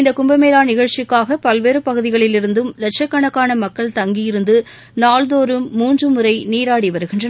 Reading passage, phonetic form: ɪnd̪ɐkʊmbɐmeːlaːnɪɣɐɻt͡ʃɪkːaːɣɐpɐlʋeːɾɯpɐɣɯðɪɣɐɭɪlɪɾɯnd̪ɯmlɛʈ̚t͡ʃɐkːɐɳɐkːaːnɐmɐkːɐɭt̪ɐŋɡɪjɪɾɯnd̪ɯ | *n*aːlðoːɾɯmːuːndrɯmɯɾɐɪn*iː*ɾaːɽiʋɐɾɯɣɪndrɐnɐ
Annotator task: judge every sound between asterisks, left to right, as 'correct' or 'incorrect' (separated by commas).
correct, correct